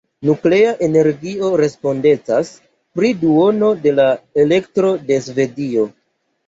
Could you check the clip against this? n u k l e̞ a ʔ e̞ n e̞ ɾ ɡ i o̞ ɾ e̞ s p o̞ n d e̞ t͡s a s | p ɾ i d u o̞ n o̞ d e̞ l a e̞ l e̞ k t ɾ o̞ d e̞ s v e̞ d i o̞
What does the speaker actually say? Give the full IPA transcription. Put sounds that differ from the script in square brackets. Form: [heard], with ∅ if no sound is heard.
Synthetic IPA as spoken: n u k l e̞ a ʔ e̞ n e̞ ɾ ɡ i o̞ ɾ e̞ s p o̞ n d e̞ t͡s a s | p ɾ i d u o̞ n o̞ d e̞ l a e̞ l e̞ k t ɾ o̞ d e̞ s v e̞ d i o̞